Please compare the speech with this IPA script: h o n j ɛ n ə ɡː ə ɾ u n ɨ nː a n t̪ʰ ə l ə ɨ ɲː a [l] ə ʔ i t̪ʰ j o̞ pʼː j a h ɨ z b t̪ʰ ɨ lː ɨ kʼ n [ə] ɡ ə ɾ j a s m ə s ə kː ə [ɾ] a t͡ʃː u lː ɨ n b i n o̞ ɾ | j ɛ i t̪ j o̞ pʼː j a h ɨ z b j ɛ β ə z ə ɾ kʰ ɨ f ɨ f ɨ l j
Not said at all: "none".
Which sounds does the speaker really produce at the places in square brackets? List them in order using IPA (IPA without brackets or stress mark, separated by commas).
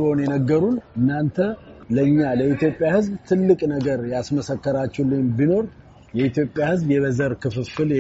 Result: l, ə, ɾ